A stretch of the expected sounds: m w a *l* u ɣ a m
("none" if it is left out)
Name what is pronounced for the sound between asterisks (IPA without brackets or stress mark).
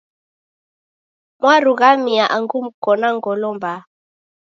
ɾ